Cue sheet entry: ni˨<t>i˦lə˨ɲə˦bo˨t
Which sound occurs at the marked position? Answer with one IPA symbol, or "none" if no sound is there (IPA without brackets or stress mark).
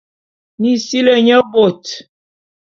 s